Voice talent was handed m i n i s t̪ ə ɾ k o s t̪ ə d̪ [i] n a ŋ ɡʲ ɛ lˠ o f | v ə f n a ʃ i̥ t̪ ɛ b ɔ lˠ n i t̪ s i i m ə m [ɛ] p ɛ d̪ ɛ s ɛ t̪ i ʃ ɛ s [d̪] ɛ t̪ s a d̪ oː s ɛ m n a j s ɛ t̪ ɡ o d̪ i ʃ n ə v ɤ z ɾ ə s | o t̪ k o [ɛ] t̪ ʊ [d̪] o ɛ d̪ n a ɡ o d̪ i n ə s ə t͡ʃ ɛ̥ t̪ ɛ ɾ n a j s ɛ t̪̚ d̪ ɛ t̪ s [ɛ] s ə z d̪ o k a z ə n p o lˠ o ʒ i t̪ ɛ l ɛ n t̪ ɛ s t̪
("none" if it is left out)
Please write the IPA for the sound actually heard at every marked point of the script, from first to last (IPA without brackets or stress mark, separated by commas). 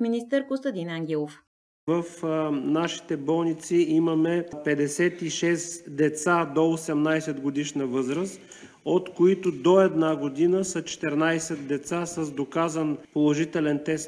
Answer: i, ɛ, d̪, i, d̪, a